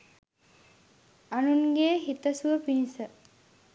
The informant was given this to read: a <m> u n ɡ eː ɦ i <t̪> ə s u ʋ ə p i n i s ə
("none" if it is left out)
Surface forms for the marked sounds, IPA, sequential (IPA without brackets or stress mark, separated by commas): n, t̪